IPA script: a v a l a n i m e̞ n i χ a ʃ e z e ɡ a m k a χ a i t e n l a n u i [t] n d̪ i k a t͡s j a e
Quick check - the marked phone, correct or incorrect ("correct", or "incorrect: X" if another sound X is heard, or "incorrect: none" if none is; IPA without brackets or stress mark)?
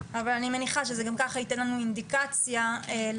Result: incorrect: none